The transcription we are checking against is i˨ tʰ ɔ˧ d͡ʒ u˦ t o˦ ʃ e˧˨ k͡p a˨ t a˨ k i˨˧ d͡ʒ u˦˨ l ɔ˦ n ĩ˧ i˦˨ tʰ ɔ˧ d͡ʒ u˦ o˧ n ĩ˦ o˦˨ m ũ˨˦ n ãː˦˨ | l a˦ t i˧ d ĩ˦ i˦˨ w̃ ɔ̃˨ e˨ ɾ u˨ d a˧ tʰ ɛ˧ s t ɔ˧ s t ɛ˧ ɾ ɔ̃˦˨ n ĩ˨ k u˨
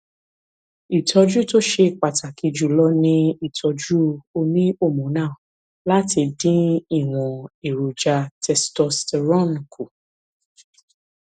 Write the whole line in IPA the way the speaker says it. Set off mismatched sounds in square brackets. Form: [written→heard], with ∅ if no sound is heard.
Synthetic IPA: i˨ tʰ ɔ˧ d͡ʒ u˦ t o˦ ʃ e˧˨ k͡p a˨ t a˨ k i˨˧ d͡ʒ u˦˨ l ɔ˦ n ĩ˧ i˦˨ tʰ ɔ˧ d͡ʒ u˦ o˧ n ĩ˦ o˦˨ m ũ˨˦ n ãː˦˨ | l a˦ t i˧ d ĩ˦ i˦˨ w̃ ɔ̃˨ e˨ ɾ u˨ [d→d͡ʒ] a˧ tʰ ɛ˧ s t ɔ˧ s t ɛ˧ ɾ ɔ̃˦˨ n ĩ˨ k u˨